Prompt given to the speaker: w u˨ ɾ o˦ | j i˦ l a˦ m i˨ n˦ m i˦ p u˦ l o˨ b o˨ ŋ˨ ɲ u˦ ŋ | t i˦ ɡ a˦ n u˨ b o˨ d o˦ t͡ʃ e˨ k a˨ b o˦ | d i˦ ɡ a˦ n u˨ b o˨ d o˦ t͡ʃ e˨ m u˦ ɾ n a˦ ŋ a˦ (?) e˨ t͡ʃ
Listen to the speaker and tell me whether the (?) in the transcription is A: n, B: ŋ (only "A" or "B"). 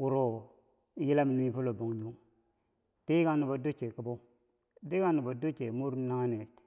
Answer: A